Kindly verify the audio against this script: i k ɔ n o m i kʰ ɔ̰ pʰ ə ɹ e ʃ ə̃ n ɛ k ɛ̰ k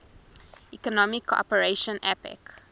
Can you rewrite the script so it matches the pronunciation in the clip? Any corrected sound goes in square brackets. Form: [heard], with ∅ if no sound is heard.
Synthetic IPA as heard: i k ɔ n [ɔ] m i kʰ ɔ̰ [p] ə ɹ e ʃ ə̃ n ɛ [p] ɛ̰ k